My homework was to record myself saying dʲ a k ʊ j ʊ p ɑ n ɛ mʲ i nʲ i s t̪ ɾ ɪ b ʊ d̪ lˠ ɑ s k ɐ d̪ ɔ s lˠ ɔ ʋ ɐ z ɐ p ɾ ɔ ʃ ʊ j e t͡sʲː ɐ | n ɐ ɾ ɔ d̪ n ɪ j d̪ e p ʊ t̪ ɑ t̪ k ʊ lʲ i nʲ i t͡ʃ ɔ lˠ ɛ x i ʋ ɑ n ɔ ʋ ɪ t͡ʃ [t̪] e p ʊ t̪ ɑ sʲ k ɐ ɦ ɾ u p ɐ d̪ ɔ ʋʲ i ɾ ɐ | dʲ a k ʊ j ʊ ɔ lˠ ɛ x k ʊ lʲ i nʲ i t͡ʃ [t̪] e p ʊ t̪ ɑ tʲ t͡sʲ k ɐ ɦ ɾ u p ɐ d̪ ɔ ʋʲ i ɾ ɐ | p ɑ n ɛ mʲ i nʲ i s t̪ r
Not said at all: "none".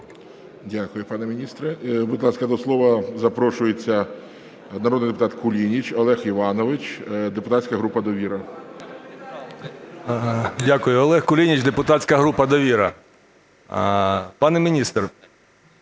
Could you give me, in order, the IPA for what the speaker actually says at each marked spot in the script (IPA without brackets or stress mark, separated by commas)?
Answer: d̪, d̪